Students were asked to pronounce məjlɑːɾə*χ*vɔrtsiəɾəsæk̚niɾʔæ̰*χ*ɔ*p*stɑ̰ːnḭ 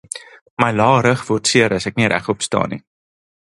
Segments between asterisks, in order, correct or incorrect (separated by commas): correct, correct, correct